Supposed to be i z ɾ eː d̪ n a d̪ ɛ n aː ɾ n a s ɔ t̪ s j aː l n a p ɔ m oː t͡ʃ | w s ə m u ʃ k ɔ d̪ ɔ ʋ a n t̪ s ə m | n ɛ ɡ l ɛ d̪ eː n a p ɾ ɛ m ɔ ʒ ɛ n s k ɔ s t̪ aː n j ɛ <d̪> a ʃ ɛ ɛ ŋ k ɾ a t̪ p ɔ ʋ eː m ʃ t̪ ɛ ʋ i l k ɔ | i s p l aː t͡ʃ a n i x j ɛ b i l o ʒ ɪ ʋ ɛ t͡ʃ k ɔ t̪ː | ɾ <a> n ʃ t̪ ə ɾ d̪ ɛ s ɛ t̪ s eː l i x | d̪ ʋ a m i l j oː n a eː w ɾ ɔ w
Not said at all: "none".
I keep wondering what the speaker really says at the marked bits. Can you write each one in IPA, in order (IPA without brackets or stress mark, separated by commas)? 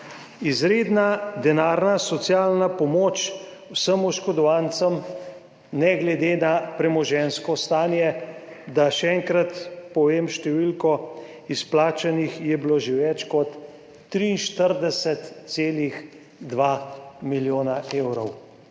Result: d̪, i